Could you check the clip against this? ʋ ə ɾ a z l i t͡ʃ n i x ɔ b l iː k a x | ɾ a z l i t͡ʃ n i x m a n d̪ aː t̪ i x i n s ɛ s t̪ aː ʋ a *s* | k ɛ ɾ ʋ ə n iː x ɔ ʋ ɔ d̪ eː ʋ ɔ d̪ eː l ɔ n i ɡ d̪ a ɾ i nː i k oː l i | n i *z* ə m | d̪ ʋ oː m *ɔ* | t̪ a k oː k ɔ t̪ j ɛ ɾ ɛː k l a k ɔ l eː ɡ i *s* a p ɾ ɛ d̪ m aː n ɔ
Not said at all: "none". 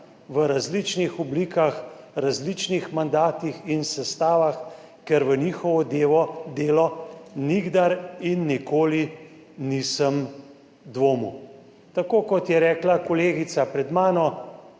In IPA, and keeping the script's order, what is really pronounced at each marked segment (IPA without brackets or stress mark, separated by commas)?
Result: x, s, u, s